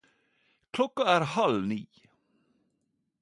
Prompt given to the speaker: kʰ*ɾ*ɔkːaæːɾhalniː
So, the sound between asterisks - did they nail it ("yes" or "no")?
no